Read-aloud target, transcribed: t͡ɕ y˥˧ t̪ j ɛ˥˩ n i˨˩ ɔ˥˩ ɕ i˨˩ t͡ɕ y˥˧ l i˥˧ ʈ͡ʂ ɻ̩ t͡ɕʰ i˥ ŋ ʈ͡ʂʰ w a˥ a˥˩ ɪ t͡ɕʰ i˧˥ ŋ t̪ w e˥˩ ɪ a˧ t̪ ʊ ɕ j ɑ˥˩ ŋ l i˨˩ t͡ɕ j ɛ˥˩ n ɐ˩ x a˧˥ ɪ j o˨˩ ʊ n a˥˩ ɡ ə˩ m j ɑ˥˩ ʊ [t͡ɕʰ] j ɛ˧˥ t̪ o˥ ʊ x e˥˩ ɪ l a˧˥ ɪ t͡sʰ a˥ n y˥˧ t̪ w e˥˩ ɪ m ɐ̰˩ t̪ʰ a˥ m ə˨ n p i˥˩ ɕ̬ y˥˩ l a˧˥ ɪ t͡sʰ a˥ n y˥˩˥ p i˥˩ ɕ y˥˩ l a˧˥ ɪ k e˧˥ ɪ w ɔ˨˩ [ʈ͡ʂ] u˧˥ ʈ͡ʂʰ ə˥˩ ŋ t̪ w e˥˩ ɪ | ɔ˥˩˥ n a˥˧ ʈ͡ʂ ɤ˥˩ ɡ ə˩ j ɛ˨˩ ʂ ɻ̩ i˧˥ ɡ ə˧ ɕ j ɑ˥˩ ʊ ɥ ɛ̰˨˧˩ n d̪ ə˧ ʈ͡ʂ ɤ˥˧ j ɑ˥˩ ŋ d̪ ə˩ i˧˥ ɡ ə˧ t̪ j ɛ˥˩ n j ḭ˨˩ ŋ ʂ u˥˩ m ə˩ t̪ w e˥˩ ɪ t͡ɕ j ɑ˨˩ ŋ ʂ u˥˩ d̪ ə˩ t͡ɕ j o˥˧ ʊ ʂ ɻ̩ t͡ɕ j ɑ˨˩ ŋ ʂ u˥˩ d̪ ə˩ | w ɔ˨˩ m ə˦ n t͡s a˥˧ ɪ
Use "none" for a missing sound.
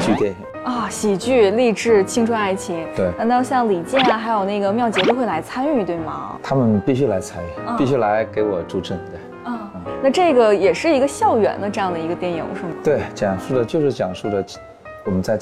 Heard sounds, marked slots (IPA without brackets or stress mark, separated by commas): t͡ɕ, ʈ͡ʂ